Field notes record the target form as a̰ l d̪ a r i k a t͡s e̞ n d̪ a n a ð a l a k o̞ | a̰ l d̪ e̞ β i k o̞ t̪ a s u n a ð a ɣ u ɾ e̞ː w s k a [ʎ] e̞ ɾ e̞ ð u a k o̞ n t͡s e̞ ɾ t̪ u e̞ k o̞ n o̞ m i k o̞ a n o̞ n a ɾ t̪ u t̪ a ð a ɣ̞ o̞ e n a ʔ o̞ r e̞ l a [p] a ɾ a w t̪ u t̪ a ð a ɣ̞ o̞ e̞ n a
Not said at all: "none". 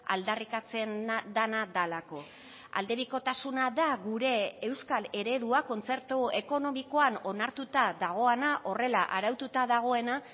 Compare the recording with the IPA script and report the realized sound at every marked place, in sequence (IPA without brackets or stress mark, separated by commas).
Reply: l, ʔ